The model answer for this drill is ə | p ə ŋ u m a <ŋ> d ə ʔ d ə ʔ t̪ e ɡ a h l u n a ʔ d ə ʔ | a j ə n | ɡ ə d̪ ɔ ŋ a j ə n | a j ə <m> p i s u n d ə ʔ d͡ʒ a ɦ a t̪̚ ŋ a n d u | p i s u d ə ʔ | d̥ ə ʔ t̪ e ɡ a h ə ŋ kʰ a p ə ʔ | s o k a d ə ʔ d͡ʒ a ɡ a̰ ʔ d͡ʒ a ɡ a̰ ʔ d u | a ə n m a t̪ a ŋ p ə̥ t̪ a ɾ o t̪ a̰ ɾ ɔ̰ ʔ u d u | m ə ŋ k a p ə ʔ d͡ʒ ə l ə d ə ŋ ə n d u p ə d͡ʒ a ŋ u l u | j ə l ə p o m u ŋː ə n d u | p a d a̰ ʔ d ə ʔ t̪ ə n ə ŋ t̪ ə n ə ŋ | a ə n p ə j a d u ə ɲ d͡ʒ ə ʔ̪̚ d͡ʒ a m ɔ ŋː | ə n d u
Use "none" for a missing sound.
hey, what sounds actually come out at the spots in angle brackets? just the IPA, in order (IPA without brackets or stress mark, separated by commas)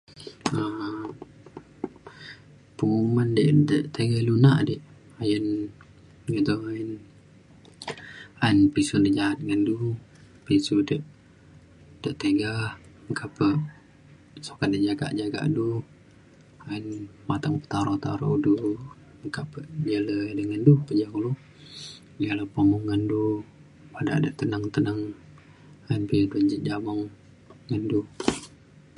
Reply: n, n